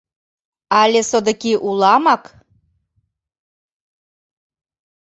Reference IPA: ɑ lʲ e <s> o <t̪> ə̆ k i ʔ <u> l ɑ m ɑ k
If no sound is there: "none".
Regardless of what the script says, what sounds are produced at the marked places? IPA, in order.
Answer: s, d̪, u

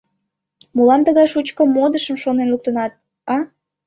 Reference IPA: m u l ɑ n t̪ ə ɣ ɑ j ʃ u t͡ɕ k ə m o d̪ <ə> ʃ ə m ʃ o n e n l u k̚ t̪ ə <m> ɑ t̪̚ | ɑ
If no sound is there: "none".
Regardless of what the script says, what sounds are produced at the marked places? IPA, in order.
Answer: ə, n

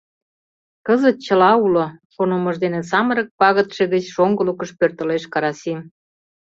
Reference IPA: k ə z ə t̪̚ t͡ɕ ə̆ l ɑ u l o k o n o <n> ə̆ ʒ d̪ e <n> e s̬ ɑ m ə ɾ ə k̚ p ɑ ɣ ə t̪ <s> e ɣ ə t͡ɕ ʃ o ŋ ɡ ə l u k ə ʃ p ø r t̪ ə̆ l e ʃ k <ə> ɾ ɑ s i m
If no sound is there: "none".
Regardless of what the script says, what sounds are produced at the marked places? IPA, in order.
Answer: m, n, ʃ, ɑ

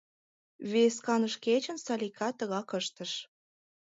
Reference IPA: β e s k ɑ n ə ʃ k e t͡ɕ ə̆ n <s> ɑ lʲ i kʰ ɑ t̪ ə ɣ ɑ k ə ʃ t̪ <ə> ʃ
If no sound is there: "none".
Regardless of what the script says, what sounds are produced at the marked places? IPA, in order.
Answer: s, ə

